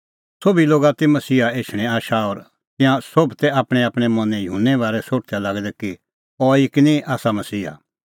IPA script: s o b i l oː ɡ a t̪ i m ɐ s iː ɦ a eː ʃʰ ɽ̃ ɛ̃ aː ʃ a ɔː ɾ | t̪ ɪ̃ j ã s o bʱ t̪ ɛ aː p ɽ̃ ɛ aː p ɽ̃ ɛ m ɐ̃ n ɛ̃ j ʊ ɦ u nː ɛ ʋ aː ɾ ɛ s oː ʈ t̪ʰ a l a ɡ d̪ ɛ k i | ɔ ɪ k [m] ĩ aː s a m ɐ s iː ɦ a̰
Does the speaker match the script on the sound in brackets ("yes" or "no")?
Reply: no